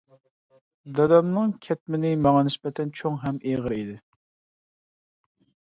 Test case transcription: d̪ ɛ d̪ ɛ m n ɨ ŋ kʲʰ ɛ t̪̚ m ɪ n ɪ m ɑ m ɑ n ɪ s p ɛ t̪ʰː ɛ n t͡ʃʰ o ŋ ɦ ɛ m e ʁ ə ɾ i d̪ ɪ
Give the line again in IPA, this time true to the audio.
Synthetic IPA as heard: d̪ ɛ d̪ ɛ m n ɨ ŋ kʲʰ ɛ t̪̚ m ɪ n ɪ m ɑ ŋ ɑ n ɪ s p ɛ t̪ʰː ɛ n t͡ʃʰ o ŋ ɦ ɛ m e ʁ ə ɾ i d̪ ɪ